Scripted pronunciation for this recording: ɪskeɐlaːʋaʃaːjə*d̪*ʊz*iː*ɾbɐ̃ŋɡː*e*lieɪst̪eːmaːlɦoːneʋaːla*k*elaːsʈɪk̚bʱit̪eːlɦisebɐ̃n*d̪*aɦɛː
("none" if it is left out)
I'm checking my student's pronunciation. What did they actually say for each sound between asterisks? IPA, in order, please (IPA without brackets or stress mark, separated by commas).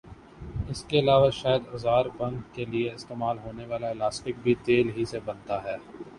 d̪, aː, e, none, t̪